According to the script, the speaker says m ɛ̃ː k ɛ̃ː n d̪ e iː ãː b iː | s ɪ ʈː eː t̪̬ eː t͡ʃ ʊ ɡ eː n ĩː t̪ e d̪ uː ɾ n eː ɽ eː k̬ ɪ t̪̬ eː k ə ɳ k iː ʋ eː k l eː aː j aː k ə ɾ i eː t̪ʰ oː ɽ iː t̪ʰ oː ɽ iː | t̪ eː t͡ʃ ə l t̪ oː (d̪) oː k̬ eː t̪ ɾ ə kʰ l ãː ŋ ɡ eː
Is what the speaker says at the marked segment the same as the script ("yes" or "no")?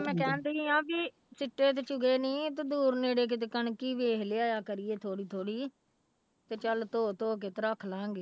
no